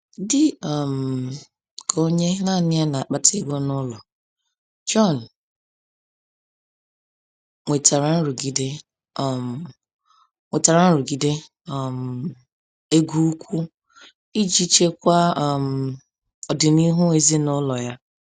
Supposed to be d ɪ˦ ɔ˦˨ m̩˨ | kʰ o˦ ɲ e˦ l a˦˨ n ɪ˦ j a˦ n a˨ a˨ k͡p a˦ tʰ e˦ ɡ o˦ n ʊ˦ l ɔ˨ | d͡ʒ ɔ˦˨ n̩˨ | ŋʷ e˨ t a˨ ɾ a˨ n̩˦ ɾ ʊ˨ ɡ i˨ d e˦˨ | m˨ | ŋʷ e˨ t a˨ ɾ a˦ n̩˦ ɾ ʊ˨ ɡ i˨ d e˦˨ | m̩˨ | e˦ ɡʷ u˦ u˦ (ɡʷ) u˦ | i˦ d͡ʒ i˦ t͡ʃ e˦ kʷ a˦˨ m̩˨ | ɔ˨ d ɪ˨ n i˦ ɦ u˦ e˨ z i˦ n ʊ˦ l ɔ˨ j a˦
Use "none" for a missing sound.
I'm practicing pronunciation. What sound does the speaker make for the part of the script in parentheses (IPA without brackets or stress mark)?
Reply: kʷ